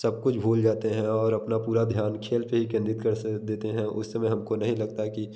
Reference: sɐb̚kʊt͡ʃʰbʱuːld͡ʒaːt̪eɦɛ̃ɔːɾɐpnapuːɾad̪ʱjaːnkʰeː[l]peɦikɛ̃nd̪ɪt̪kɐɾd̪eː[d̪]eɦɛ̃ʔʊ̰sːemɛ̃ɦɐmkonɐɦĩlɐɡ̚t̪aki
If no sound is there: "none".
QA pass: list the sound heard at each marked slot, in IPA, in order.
l, t̪

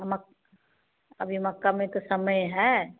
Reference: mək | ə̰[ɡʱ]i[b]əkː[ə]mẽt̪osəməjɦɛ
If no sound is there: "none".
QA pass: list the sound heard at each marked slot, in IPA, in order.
bʱ, m, a

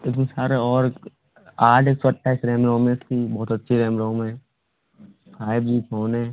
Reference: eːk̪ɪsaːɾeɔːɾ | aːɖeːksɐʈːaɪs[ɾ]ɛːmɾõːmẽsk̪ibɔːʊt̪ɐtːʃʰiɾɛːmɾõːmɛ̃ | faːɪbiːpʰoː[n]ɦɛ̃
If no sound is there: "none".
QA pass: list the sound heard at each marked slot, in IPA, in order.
ɾ, n

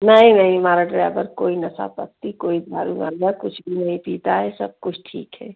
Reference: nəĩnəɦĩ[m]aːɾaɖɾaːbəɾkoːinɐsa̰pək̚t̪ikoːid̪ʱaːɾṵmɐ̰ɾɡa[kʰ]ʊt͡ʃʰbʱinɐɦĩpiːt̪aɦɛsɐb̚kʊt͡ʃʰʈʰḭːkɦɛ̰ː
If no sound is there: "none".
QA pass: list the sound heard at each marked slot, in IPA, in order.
m, k

